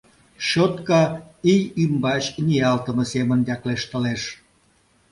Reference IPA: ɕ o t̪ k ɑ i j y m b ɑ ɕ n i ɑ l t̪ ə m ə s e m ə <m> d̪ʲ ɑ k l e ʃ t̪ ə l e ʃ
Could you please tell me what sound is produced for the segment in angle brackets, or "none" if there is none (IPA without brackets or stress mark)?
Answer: n